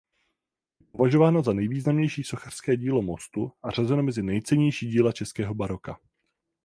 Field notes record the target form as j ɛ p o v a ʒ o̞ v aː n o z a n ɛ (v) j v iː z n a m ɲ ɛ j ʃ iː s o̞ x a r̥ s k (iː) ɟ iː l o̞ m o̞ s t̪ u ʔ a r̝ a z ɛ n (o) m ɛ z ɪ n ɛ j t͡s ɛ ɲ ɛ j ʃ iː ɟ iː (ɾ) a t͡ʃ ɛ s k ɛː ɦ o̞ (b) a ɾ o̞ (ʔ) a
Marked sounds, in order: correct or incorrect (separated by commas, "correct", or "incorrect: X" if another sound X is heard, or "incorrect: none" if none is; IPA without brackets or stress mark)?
incorrect: none, incorrect: ɛː, correct, incorrect: l, correct, incorrect: k